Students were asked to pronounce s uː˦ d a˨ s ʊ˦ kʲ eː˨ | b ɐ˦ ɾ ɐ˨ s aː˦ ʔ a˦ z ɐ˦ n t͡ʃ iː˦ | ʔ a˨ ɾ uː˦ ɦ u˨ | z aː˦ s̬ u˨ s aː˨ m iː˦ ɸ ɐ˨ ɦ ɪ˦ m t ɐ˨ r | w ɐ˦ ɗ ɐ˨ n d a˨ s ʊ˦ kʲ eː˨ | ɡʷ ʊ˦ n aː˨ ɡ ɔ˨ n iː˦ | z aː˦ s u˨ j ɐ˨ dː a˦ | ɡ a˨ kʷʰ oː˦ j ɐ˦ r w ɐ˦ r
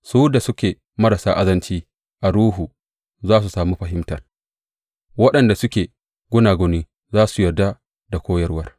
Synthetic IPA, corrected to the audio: s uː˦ d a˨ s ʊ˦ kʲ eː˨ | m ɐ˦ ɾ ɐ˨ s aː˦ ʔ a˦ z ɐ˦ n t͡ʃ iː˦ | ʔ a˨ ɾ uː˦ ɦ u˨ | z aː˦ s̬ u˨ s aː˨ m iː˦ ɸ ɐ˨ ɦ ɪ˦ m t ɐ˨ r | w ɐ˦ ɗ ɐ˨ n d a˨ s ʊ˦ kʲ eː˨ | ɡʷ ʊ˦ n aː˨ ɡ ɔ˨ n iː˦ | z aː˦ s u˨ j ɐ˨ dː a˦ | d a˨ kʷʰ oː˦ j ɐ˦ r w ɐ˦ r

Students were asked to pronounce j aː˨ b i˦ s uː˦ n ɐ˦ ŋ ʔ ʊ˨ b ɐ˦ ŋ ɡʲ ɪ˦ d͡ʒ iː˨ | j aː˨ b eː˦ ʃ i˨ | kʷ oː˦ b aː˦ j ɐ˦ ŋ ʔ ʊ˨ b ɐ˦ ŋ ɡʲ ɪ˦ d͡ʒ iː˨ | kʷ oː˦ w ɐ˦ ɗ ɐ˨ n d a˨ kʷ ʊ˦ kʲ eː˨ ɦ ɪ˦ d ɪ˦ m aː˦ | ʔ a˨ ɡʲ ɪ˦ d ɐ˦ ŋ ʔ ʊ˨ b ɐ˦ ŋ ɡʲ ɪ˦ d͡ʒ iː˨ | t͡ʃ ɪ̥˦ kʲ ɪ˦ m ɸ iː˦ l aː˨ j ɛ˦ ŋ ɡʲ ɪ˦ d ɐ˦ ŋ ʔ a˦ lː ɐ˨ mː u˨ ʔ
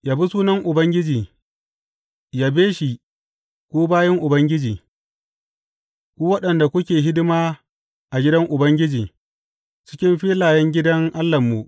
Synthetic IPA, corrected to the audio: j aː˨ b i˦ s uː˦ n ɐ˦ ŋ ʔ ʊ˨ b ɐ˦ ŋ ɡʲ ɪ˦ d͡ʒ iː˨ | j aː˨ b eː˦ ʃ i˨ | kʷ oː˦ b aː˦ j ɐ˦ ŋ ʔ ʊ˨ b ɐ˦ ŋ ɡʲ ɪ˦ d͡ʒ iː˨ | kʷ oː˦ w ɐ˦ ɗ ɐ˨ n d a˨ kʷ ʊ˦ kʲ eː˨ ɦ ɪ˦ d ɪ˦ m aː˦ | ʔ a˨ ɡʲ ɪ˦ d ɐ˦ ŋ ʔ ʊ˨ b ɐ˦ ŋ ɡʲ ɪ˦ d͡ʒ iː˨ | t͡ʃ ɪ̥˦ kʲ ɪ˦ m ɸ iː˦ l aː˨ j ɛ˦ ŋ ɡʲ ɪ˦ d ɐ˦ ŋ ʔ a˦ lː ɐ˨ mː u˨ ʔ

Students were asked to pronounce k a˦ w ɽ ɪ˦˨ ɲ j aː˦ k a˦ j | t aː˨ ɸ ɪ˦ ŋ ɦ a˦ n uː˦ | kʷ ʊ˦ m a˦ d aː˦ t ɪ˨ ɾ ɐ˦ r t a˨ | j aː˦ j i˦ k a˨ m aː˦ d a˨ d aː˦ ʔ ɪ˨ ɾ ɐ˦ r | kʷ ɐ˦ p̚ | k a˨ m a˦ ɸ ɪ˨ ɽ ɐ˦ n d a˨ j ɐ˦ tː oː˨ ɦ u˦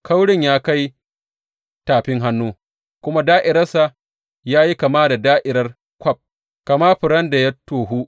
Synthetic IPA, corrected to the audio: k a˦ w ɽ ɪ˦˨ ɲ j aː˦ k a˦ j | t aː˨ ɸ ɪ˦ ŋ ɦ a˦ nː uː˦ | kʷ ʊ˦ m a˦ d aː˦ ʔ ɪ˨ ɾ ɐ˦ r s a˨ | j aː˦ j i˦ k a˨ m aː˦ d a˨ d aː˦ ʔ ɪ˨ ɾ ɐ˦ r | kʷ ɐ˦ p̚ | k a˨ m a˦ ɸ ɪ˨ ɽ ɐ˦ n d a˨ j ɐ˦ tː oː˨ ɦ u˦

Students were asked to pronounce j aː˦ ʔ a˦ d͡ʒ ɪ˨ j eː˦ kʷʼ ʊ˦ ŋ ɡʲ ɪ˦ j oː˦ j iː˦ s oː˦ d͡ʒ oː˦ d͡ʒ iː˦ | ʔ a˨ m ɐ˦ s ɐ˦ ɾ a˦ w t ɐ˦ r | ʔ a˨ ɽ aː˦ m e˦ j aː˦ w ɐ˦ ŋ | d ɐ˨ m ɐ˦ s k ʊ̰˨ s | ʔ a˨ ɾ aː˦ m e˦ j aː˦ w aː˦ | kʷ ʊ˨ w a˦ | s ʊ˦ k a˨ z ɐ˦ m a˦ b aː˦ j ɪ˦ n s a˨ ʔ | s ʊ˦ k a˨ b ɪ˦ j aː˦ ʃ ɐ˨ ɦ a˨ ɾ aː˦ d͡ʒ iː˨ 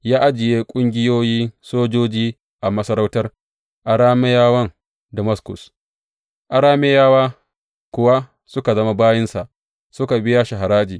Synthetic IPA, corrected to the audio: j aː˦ ʔ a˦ d͡ʒ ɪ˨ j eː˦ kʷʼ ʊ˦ ŋ ɡʲ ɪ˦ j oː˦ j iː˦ s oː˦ d͡ʒ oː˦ d͡ʒ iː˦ | ʔ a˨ m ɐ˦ s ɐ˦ ɾ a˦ w t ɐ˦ r | ʔ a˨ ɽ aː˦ m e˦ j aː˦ w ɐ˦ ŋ | d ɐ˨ m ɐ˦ s k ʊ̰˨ s | ʔ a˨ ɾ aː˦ m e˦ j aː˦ w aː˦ | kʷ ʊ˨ w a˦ | s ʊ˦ k a˨ z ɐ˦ m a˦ b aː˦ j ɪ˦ n s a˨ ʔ | s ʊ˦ k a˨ b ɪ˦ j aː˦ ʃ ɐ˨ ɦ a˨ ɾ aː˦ d͡ʒ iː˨

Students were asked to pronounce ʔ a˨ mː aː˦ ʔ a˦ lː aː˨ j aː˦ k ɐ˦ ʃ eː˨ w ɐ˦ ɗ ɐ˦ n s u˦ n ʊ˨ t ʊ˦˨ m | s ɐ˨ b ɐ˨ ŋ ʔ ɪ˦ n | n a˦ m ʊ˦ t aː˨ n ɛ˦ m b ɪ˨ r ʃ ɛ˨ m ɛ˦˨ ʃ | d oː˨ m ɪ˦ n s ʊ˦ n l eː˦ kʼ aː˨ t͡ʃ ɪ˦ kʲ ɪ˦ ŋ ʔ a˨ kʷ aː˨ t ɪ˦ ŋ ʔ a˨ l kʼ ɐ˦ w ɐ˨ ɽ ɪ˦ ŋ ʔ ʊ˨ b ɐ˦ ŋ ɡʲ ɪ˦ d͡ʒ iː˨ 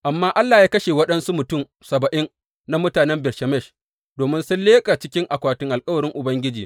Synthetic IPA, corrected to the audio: ʔ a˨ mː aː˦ ʔ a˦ lː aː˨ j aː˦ k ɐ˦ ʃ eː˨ w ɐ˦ ɗ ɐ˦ n s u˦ m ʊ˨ t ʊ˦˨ m | s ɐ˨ b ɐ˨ ʔ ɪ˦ n | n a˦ m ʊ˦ t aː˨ n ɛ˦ m b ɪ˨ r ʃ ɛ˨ m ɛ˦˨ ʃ | d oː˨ m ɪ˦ n s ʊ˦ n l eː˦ kʼ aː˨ t͡ʃ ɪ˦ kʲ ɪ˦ ŋ ʔ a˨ kʷ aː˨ t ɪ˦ ŋ ʔ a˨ l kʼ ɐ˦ w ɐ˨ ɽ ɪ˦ ŋ ʔ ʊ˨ b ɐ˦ ŋ ɡʲ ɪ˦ d͡ʒ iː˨

